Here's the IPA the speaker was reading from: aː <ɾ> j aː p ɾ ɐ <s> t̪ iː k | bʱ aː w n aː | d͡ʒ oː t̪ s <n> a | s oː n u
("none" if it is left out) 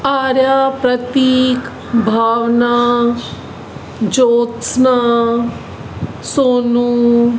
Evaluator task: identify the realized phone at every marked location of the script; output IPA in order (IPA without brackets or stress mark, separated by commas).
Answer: ɾ, none, n